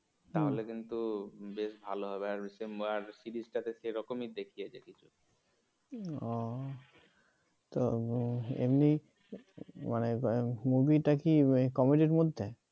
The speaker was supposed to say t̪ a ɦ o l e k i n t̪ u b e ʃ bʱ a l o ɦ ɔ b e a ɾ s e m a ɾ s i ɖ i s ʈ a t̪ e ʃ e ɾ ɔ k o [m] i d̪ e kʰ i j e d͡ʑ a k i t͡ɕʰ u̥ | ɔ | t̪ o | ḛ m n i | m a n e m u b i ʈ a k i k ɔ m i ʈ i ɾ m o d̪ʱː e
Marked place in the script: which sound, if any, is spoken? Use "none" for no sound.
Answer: m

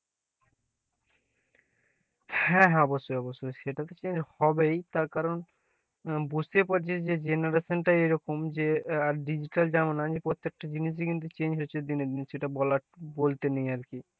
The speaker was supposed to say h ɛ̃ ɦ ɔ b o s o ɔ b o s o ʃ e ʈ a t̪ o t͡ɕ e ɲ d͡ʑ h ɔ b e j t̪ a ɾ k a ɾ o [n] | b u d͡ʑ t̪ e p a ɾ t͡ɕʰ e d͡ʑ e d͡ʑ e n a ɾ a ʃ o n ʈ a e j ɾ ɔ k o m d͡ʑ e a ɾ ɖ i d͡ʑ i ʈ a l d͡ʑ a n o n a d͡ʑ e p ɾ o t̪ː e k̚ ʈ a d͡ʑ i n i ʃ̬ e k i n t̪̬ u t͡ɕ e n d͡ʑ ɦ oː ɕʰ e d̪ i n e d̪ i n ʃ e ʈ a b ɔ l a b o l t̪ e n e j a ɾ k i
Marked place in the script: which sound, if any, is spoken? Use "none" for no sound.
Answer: n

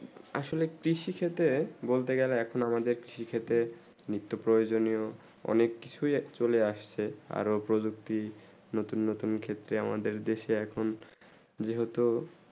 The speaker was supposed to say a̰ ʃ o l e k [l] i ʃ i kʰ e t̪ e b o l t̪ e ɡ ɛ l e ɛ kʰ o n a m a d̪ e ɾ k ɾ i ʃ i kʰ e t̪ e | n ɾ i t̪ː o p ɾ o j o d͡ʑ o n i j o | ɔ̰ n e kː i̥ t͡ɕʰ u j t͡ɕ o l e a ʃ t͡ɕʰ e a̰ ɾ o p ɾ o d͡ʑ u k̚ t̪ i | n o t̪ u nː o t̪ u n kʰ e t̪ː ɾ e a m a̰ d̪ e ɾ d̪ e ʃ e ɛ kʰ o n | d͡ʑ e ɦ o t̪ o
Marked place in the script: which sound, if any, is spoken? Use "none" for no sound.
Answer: ɾ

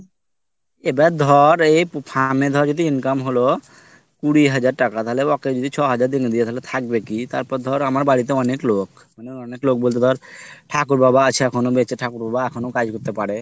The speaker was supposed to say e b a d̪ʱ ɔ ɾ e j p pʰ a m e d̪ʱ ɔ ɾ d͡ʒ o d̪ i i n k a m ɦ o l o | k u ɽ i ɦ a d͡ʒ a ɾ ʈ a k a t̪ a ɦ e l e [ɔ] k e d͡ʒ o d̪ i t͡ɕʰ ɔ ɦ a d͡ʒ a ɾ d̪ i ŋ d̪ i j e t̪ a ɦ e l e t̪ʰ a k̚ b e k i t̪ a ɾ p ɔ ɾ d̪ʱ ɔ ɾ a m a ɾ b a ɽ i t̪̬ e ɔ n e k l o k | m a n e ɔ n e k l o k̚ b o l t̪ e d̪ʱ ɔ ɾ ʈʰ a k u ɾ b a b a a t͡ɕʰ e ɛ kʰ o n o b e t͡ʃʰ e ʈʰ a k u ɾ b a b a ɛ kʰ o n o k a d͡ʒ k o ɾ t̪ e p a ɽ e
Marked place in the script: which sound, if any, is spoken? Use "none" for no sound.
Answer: ɔ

